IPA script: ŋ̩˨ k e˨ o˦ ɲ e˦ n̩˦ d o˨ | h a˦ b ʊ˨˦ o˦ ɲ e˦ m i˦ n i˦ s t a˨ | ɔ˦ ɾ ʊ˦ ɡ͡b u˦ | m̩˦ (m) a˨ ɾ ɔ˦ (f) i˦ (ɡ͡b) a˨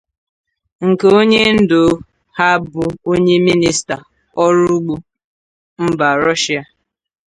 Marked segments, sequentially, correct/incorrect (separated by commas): incorrect, incorrect, incorrect